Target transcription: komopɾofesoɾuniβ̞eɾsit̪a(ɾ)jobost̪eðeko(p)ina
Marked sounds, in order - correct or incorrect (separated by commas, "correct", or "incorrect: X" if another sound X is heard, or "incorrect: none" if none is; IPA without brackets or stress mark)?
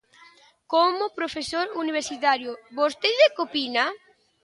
correct, correct